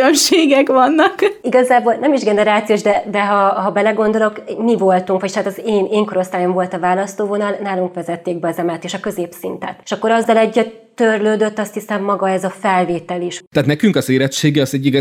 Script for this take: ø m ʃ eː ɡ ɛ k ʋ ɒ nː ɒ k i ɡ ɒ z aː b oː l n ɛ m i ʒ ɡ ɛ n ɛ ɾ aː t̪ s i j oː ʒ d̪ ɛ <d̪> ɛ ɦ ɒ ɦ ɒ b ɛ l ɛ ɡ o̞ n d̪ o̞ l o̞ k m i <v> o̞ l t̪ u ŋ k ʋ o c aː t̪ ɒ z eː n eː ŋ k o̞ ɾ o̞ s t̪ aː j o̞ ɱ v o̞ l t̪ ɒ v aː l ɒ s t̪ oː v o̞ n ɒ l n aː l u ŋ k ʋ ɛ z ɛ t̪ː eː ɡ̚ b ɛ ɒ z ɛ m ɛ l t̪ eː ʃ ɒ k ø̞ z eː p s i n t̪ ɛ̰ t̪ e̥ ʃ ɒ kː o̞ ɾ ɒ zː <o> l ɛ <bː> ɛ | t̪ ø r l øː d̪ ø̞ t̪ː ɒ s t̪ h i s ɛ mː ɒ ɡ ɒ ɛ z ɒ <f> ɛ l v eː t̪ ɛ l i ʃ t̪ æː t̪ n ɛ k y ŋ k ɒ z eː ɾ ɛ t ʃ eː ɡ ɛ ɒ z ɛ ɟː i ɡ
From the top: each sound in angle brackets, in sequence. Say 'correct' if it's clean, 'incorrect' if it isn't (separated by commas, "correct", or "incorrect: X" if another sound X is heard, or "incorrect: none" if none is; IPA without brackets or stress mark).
correct, correct, incorrect: ɒ, incorrect: ɟː, correct